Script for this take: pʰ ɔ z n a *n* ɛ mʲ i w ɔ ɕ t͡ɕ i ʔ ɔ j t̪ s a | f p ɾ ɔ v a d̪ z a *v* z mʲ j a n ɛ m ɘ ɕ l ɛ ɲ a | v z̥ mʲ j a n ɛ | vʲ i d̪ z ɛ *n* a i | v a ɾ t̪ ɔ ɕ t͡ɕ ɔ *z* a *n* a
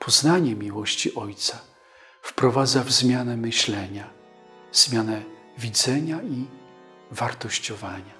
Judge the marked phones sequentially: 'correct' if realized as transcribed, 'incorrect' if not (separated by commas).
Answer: incorrect, correct, incorrect, incorrect, incorrect